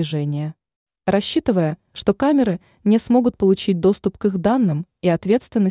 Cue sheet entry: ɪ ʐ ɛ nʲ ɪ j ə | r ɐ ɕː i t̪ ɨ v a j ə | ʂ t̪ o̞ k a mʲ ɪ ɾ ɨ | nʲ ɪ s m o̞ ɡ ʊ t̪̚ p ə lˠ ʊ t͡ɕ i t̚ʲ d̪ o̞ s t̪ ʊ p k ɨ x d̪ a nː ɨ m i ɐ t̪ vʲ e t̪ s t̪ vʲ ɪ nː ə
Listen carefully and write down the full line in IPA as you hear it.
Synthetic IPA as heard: ɪ ʐ ɛ nʲ ɪ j ə | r ɐ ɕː i t̪ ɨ v ə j ə | ʂ t̪ o̞ k a mʲ ɪ ɾ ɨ | nʲ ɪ s m o̞ ɡ ʊ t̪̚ p ə lˠ ʊ t͡ɕ i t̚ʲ d̪ o̞ s t̪ ʊ p k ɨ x d̪ a nː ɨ m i ɐ t̪ vʲ e t̪ s t̪ vʲ ɪ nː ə